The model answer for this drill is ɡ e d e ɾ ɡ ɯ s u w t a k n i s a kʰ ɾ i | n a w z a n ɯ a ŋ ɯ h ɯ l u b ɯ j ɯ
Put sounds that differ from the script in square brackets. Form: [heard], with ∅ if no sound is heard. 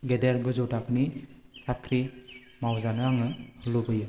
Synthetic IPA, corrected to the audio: ɡ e d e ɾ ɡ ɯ [z] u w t a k n i s a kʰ ɾ i | [m] a w z a n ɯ a ŋ ɯ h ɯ l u b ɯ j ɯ